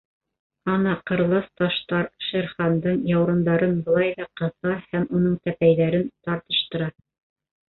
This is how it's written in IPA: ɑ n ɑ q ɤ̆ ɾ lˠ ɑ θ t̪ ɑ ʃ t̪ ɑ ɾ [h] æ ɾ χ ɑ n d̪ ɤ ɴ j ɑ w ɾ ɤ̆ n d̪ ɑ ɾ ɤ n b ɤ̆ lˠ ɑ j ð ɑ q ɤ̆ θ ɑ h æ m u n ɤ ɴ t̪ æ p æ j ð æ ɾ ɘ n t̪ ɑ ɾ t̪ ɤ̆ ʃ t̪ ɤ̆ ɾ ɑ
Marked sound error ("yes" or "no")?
yes